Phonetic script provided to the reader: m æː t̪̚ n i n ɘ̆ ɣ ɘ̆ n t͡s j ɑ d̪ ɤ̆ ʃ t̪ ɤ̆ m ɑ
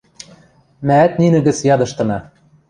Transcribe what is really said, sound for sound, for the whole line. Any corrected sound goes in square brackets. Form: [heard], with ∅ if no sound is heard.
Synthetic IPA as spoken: m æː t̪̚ n i n ɘ̆ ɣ ɘ̆ [∅] t͡s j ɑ d̪ ɤ̆ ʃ t̪ ɤ̆ [n] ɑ